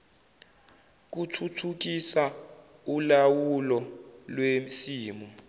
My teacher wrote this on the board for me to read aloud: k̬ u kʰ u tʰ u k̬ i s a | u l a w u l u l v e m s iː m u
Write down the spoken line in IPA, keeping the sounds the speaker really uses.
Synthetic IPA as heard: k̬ u tʰ u tʰ u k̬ i s a | u l a w u l ɔ l w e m s iː m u